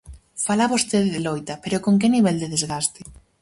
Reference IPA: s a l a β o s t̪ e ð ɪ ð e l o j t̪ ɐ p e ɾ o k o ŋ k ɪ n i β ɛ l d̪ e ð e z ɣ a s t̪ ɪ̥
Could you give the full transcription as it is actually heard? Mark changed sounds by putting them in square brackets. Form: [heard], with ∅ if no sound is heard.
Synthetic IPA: [f] a l a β o s t̪ e ð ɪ ð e l o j t̪ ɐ p e ɾ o k o ŋ k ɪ n i β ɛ l d̪ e ð e z ɣ a s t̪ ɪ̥